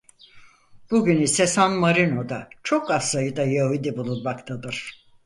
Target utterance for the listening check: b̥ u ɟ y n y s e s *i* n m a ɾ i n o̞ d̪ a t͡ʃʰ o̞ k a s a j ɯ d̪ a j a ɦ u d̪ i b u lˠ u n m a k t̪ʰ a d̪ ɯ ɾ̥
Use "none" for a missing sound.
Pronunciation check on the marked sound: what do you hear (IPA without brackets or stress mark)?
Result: a